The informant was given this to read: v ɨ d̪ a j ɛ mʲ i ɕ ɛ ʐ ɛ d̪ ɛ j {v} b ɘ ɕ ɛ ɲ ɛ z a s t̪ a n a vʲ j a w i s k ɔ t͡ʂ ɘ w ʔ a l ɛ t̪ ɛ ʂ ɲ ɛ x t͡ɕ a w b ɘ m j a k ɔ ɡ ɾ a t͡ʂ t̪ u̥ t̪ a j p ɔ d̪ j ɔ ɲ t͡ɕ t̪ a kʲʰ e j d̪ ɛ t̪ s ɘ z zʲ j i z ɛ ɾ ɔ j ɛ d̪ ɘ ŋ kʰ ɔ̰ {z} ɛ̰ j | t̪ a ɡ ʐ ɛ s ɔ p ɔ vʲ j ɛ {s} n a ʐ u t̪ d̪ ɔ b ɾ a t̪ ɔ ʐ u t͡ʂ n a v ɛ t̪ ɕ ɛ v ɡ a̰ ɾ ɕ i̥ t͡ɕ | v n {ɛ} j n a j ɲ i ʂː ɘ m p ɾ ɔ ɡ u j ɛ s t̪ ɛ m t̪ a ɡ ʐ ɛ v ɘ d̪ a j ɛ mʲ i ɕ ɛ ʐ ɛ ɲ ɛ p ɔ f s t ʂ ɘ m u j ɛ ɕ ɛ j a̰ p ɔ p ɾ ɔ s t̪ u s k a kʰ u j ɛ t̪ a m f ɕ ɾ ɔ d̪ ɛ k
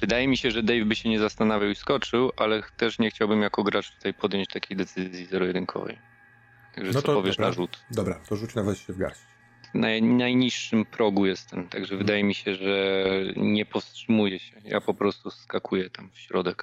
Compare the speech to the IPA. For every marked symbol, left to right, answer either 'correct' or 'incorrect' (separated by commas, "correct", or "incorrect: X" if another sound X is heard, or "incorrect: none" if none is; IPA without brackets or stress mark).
correct, incorrect: v, incorrect: ʂ, incorrect: a